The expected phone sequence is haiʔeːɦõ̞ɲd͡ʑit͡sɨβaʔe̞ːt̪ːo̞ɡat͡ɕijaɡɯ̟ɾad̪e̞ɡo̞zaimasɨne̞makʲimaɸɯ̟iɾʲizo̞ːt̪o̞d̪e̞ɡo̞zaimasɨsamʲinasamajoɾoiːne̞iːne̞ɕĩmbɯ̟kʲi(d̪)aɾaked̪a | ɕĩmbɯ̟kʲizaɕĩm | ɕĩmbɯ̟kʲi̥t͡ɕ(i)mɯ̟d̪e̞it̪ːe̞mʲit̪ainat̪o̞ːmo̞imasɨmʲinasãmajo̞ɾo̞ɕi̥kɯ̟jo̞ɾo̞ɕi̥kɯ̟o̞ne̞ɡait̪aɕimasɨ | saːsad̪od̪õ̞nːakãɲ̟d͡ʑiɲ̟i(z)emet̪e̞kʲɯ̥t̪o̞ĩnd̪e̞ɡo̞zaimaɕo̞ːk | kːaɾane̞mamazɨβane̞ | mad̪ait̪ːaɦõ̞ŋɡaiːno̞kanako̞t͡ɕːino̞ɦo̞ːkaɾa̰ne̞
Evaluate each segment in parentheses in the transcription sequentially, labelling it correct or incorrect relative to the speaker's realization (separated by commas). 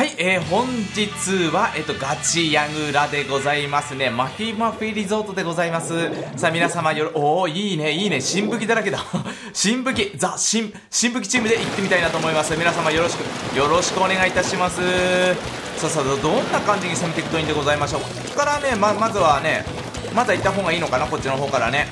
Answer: correct, incorrect, incorrect